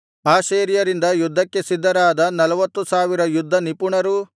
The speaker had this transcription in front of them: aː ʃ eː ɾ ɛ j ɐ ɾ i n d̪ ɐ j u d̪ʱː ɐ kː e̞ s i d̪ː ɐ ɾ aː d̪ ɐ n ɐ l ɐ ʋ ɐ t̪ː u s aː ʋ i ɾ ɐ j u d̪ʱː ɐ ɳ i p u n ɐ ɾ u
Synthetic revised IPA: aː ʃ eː ɾ i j ɐ ɾ i n d̪ ɐ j u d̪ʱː ɐ kː e̞ s i d̪ː ɐ ɾ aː d̪ ɐ n ɐ l ɐ ʋ ɐ t̪ː u s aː ʋ i ɾ ɐ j u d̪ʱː ɐ n i p u ɳ ɐ ɾ u

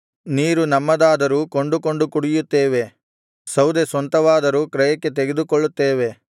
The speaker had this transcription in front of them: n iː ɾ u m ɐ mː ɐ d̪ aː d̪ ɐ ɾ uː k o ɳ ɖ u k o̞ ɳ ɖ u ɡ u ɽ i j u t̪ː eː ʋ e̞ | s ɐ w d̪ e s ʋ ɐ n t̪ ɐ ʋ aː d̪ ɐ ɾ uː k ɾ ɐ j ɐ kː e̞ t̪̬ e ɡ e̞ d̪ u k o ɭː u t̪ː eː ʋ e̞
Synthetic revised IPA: n iː ɾ u n ɐ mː ɐ d̪ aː d̪ ɐ ɾ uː k o ɳ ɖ u k o̞ ɳ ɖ u k u ɽ i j u t̪ː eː ʋ e̞ | s ɐ w d̪ e s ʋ ɐ n t̪ ɐ ʋ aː d̪ ɐ ɾ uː k ɾ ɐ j ɐ kː e̞ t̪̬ e ɡ e̞ d̪ u k o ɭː u t̪ː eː ʋ e̞

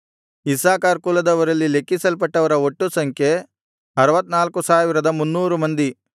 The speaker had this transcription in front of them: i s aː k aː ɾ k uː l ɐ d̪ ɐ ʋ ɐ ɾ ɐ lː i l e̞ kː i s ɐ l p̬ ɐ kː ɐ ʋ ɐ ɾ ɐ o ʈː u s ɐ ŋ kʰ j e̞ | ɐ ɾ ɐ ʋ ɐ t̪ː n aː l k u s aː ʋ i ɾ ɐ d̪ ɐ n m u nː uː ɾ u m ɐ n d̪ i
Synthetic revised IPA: i s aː k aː ɾ k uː l ɐ d̪ ɐ ʋ ɐ ɾ ɐ lː i l e̞ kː i s ɐ l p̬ ɐ ʈː ɐ ʋ ɐ ɾ ɐ o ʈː u s ɐ ŋ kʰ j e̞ | ɐ ɾ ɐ ʋ ɐ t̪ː n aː l k u s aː ʋ i ɾ ɐ d̪ ɐ m u nː uː ɾ u m ɐ n d̪ i

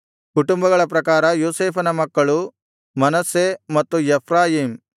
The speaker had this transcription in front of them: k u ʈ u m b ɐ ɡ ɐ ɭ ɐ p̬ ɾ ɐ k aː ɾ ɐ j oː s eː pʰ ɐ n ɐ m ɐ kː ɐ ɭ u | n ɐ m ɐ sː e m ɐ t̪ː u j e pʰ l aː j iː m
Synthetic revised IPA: k u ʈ u m b ɐ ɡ ɐ ɭ ɐ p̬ ɾ ɐ k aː ɾ ɐ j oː s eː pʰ ɐ n ɐ m ɐ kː ɐ ɭ u | m ɐ n ɐ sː e m ɐ t̪ː u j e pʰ ɾ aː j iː m

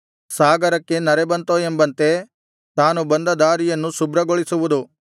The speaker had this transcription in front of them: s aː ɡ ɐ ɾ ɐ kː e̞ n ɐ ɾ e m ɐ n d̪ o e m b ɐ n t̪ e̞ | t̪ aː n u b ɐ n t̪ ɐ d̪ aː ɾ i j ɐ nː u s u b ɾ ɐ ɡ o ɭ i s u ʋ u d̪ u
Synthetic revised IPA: s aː ɡ ɐ ɾ ɐ kː e̞ n ɐ ɾ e b ɐ n t̪ o e m b ɐ n t̪ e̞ | t̪ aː n u b ɐ n d̪ ɐ d̪ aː ɾ i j ɐ nː u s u b ɾ ɐ ɡ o ɭ i s u ʋ u d̪ u

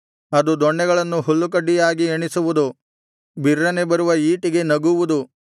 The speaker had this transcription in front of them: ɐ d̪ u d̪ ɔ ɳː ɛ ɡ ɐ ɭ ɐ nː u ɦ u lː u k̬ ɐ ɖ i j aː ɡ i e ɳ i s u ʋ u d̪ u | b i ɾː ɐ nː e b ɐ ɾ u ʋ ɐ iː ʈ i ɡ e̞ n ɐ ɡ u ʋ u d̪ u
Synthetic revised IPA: ɐ d̪ u d̪ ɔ ɳː ɛ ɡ ɐ ɭ ɐ nː u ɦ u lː u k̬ ɐ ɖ i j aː ɡ i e ɳ i s u ʋ u d̪ u | b i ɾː ɐ n e b ɐ ɾ u ʋ ɐ iː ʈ i ɡ e̞ n ɐ ɡ u ʋ u d̪ u

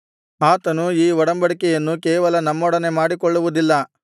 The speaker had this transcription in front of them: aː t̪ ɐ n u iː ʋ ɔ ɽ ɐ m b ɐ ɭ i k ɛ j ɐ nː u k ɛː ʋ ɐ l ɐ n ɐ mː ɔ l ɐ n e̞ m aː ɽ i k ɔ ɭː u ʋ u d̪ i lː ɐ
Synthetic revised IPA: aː t̪ ɐ n u iː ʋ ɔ ɽ ɐ m b ɐ ɽ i k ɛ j ɐ nː u k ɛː ʋ ɐ l ɐ n ɐ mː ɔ ɽ ɐ n e̞ m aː ɽ i k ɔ ɭː u ʋ u d̪ i lː ɐ

